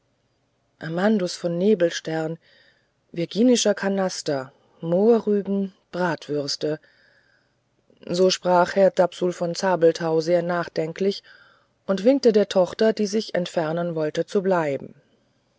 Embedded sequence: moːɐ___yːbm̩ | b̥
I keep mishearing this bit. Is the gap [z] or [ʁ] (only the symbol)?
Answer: ʁ